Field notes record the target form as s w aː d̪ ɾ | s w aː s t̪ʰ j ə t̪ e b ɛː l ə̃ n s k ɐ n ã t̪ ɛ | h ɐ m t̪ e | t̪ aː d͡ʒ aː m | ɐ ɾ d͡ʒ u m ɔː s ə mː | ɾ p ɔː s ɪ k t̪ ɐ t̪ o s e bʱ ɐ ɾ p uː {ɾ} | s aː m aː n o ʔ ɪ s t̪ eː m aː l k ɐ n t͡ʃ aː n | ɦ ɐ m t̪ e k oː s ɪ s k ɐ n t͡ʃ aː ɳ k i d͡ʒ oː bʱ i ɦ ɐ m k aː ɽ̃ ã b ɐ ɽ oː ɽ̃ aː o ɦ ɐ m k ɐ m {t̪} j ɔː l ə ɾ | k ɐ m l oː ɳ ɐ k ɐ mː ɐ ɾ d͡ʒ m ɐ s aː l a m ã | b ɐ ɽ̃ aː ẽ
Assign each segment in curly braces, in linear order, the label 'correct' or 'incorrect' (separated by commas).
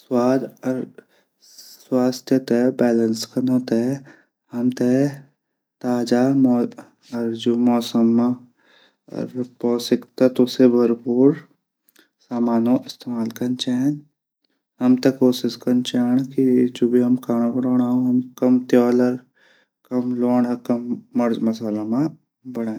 correct, correct